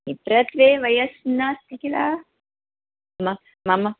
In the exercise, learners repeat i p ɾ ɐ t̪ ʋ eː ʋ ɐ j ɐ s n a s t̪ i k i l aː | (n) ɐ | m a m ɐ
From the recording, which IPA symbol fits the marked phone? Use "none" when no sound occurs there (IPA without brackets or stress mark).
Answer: m